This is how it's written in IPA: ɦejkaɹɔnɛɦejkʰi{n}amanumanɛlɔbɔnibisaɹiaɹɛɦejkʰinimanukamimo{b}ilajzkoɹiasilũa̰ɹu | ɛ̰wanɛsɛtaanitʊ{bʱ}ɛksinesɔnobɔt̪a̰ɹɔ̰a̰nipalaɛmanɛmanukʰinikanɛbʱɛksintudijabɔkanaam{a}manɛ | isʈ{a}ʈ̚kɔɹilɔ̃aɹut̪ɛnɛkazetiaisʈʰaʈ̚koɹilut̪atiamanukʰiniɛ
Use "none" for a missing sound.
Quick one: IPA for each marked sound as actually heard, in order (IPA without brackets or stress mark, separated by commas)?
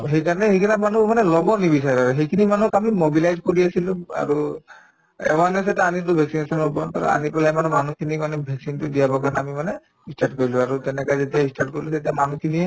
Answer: n, b, bʱ, i, a